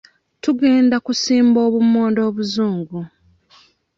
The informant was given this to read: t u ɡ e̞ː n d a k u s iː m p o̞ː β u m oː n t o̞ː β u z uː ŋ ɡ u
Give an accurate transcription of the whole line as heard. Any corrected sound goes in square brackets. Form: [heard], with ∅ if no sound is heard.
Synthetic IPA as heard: t u ɡ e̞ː n d a k u s iː m [b] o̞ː β u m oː n [d] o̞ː β u z uː ŋ ɡ u